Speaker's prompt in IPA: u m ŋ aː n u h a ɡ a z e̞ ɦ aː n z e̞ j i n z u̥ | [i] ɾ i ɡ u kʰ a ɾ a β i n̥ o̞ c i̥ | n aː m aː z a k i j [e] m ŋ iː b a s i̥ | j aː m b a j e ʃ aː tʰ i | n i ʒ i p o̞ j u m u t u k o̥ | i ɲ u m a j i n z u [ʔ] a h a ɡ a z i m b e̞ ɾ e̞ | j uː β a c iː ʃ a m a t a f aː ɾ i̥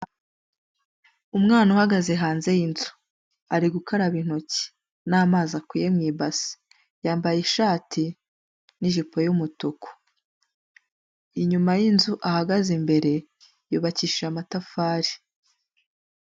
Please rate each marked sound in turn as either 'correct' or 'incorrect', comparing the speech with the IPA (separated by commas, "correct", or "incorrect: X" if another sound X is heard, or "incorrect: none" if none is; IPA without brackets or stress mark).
incorrect: a, correct, correct